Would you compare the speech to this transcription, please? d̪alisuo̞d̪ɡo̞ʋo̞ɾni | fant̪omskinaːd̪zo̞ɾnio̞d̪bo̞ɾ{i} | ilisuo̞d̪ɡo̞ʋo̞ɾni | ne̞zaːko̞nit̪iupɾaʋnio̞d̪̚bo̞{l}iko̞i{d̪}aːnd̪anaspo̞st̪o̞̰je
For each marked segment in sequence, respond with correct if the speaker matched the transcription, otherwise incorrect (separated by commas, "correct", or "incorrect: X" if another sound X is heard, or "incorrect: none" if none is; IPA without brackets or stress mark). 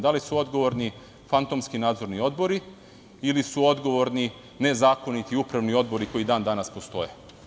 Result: correct, incorrect: ɾ, correct